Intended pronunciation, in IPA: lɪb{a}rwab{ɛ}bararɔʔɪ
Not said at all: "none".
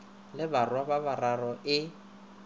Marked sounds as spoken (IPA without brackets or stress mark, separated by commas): a, a